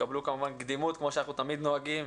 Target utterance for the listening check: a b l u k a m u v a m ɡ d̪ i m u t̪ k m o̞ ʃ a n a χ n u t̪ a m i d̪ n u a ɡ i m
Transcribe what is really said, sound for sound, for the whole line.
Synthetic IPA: a b l u k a m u v a n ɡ d̪ i m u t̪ k m o̞ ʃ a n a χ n u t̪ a m i d̪ n o a ɡ i m